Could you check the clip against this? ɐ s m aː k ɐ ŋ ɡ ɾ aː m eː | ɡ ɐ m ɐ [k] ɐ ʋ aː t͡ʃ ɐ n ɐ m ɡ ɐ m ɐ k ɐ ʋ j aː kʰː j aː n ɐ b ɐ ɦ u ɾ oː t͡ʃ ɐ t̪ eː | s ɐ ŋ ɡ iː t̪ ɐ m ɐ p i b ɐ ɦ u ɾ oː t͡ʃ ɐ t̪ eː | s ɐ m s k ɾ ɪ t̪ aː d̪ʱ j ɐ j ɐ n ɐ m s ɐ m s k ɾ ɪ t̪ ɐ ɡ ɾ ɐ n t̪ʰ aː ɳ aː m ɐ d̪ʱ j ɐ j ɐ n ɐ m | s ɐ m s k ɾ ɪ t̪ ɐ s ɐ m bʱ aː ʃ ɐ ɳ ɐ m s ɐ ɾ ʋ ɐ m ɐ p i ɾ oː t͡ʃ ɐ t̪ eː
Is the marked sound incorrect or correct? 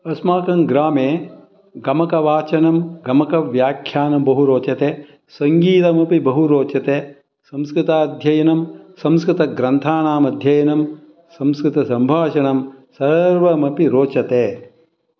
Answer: correct